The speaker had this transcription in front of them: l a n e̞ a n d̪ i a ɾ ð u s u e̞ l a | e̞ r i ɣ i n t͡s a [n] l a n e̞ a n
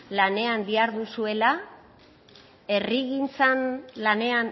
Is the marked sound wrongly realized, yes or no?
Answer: no